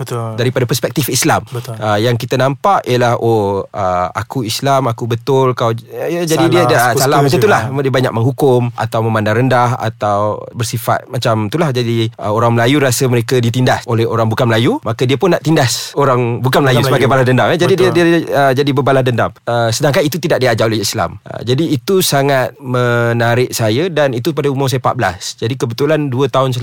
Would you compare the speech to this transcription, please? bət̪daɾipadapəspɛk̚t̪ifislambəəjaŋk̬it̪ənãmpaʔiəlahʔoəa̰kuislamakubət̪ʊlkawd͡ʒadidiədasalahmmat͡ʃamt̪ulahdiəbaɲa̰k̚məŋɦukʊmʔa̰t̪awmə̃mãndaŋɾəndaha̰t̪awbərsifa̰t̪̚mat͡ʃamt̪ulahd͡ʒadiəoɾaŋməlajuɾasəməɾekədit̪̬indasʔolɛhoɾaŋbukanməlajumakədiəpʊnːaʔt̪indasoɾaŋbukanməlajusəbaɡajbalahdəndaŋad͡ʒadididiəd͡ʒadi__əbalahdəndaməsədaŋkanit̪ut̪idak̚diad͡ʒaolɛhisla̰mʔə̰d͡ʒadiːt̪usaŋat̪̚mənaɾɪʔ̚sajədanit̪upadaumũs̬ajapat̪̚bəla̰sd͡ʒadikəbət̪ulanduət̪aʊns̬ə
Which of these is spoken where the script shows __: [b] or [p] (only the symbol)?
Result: b